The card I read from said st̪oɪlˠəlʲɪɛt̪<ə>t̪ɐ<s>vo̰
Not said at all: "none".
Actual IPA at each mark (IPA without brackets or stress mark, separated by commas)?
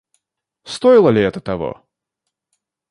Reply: ə, none